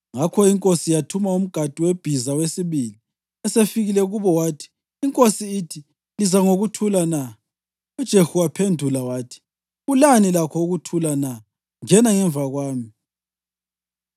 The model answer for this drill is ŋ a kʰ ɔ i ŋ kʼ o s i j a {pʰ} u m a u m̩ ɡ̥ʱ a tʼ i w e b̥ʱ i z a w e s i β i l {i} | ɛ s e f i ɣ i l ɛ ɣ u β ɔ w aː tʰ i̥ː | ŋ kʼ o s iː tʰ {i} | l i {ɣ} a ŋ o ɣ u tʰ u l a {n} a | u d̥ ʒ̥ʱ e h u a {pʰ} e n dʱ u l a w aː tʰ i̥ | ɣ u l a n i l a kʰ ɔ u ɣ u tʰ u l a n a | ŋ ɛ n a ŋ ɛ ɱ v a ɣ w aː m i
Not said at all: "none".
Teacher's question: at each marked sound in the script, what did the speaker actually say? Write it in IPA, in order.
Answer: tʰ, i, i, z, n, pʰ

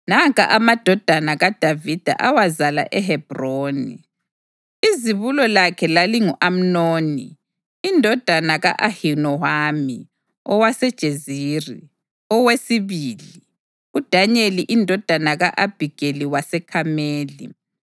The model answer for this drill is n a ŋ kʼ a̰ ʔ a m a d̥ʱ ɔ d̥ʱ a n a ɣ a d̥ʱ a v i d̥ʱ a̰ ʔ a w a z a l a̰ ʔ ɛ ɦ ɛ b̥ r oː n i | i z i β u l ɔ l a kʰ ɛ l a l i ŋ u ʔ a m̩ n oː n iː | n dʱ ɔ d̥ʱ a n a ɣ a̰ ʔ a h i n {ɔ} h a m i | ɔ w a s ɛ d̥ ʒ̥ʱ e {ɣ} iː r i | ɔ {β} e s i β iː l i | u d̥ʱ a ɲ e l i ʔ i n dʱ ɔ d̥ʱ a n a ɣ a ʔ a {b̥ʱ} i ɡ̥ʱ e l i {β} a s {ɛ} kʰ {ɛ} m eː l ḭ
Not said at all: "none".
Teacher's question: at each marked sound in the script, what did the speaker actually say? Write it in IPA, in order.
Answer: ɔ, z, w, b̥ʱ, w, ɛ, a

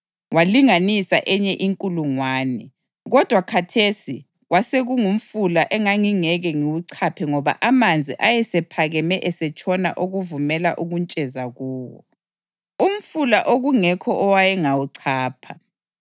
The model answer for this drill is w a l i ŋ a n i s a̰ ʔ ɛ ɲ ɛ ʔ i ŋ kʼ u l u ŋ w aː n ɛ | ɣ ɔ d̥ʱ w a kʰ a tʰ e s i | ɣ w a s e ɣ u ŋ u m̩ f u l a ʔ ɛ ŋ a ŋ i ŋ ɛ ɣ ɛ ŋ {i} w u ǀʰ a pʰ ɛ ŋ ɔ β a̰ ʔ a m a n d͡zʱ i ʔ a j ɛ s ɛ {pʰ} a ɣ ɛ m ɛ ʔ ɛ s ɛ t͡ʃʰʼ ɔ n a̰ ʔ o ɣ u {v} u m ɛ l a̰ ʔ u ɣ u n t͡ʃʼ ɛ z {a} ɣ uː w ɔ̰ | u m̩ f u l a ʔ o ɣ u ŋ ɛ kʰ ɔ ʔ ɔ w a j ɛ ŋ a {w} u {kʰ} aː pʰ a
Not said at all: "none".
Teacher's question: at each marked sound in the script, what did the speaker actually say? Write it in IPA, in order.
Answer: i, pʰ, v, a, w, ǀʰ

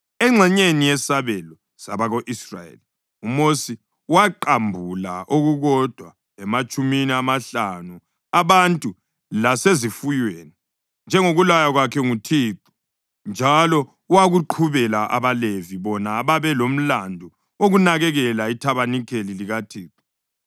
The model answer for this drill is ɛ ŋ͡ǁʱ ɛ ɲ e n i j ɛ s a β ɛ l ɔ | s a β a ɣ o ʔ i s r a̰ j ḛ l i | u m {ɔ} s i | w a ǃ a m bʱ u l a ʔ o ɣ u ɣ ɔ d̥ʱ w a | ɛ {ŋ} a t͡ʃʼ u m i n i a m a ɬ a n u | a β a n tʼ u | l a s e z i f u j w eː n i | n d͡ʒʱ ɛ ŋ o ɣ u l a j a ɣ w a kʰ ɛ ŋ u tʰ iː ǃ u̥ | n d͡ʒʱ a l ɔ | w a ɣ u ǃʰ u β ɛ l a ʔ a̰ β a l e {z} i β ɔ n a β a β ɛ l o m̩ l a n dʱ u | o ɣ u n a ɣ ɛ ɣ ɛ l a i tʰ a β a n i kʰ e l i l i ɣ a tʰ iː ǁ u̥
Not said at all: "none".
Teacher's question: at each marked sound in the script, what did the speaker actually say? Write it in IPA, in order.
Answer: o, m, v

